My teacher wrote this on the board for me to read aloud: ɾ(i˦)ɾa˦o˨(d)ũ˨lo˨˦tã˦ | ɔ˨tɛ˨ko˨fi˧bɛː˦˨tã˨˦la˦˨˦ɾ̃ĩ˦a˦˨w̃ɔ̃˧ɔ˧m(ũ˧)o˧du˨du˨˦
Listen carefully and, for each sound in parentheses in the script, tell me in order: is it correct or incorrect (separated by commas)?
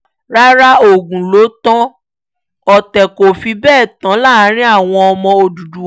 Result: incorrect, incorrect, incorrect